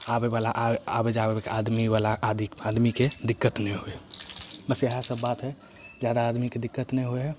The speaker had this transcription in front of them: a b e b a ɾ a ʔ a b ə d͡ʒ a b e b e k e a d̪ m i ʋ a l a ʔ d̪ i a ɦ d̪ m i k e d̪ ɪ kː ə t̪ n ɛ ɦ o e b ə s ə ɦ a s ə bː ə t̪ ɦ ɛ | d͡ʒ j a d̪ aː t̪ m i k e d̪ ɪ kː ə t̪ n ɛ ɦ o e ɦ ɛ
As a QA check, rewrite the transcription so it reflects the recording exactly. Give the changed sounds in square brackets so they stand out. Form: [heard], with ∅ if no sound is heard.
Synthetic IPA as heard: a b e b a [l] a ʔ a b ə d͡ʒ a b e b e k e a d̪ m i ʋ a l a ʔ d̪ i a [∅] d̪ m i k e d̪ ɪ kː ə t̪ n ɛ ɦ o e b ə s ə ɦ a s ə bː [a] t̪ ɦ ɛ | d͡ʒ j a d̪ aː [d̪] m i k e d̪ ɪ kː ə t̪ n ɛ ɦ o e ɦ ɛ